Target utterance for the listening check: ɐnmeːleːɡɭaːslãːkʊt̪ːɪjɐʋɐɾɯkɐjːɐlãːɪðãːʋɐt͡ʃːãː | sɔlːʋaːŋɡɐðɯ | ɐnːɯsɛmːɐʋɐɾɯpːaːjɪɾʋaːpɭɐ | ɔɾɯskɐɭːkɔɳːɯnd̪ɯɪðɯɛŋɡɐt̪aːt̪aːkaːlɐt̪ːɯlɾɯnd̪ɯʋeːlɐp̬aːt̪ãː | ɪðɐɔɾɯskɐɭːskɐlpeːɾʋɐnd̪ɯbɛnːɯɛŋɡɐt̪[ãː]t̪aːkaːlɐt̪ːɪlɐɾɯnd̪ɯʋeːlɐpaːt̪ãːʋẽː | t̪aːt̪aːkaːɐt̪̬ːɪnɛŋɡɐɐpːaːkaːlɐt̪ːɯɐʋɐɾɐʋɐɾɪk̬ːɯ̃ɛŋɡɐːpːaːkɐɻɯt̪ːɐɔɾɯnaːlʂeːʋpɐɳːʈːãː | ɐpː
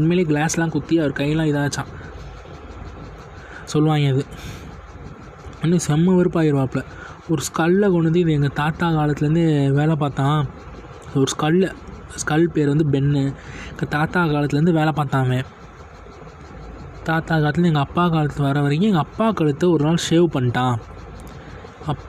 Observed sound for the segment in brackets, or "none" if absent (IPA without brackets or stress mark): aː